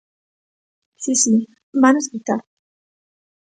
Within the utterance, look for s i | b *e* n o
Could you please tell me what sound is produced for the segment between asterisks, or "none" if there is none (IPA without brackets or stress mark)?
a